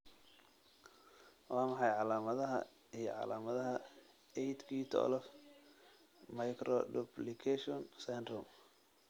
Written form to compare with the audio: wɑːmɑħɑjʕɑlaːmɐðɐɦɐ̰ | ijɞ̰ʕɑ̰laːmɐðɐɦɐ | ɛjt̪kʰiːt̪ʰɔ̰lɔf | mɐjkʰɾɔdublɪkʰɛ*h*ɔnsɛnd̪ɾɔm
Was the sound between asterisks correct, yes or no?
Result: no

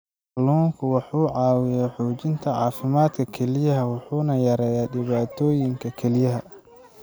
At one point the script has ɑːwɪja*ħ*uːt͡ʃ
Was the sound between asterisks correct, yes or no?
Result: yes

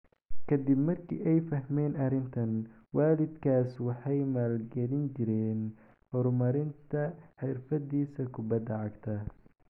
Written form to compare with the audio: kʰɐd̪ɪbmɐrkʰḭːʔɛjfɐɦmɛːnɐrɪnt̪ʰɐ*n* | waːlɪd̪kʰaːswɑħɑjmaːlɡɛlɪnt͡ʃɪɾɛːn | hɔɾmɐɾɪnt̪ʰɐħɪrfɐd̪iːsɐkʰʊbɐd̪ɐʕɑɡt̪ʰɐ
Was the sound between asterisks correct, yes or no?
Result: yes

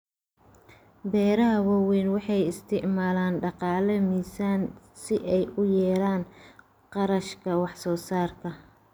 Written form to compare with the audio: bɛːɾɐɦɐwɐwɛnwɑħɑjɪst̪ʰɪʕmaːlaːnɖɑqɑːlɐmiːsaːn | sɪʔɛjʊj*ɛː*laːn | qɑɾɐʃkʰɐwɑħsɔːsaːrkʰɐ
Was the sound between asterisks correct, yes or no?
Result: yes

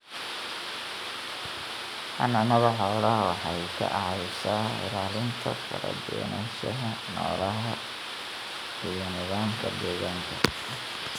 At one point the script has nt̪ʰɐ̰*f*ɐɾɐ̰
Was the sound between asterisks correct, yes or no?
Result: yes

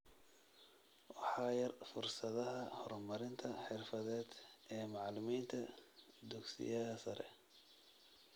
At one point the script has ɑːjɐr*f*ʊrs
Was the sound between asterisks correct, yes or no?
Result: yes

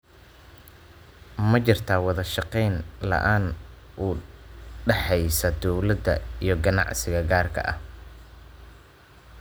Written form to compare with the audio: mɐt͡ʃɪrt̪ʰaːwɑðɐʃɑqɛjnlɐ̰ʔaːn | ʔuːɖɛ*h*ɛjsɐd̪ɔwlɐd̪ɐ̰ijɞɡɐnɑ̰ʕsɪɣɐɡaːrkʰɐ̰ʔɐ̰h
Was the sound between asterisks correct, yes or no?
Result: no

